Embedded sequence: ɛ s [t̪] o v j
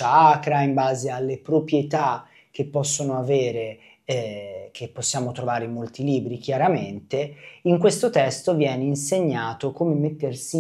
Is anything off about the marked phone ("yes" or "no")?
no